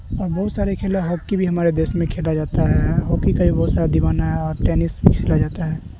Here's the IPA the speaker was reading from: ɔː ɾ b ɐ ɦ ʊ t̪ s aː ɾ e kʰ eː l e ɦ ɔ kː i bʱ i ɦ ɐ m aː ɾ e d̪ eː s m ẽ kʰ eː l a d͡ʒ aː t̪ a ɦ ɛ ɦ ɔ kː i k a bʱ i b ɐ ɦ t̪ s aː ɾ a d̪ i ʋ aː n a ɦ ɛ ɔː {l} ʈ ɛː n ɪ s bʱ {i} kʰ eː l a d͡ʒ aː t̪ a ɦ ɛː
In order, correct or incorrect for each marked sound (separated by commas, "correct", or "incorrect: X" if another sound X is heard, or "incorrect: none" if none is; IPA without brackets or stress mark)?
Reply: incorrect: ɾ, correct